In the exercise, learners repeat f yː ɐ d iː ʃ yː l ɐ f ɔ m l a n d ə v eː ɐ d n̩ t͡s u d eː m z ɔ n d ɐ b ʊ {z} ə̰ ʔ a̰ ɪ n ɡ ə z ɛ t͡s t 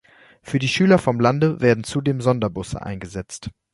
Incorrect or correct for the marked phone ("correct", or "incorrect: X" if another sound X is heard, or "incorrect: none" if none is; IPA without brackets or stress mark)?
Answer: incorrect: s